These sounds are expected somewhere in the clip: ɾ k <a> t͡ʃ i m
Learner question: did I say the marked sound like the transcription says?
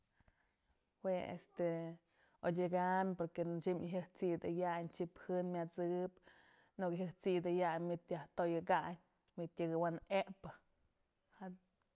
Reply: no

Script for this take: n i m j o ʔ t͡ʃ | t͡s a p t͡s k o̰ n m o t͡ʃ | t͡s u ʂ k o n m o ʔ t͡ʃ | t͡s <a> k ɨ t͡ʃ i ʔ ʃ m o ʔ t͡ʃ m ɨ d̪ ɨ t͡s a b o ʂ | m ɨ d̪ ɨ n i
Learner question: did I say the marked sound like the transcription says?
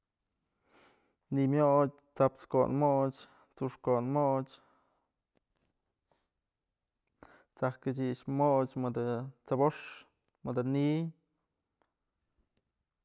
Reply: yes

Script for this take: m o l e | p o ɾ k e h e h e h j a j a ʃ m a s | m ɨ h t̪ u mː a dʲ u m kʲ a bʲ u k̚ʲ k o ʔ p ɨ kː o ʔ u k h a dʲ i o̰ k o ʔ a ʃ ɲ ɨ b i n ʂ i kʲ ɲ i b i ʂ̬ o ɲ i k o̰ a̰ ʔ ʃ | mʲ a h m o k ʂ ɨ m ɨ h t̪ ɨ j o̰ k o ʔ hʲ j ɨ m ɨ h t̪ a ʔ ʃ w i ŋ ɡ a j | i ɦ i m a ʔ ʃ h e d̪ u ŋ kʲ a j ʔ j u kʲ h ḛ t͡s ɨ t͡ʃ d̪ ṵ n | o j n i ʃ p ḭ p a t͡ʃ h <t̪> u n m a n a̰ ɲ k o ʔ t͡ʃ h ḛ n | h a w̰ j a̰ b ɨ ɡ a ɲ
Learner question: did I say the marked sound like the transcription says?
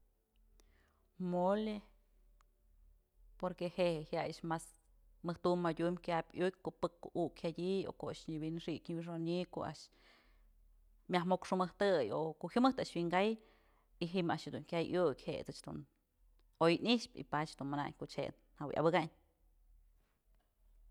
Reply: no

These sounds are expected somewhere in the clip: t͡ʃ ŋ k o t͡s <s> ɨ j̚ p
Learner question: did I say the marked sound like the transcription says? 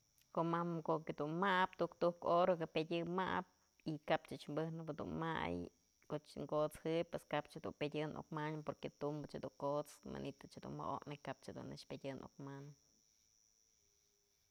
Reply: no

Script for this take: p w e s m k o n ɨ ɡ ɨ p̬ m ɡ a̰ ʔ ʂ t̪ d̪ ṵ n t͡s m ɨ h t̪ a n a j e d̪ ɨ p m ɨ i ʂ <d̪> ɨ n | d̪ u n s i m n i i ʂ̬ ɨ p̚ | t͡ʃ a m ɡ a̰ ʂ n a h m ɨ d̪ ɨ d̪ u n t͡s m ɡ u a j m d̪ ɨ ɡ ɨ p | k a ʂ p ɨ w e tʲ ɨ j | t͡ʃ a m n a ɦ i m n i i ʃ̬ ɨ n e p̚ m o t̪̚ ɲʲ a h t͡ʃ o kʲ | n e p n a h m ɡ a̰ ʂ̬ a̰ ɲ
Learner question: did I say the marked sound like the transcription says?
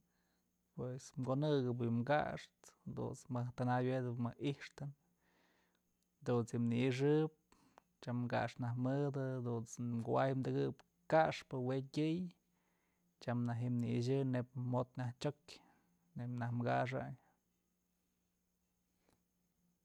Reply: no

